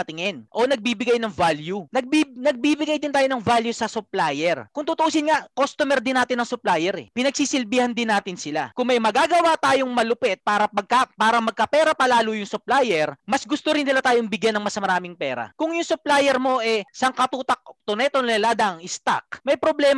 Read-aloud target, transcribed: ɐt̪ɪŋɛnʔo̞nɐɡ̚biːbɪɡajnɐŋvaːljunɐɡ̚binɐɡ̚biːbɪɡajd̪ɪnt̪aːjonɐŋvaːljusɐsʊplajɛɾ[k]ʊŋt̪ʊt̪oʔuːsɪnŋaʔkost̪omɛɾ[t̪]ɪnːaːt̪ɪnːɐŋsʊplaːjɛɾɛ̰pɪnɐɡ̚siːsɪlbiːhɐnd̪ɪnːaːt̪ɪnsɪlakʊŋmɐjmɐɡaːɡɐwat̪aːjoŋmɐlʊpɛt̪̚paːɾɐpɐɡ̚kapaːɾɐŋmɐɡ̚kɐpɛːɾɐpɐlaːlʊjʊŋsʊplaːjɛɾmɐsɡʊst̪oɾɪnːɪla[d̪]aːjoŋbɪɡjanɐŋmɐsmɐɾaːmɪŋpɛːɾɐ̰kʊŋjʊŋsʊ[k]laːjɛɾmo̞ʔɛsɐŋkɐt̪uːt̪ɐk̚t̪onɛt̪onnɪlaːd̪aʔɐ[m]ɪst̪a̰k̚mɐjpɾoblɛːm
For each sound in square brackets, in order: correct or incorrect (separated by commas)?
correct, incorrect, incorrect, incorrect, incorrect